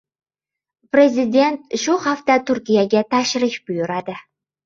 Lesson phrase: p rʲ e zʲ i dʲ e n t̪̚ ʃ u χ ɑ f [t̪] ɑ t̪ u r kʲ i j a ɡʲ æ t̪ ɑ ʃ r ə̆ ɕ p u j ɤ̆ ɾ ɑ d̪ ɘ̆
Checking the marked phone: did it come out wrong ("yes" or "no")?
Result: no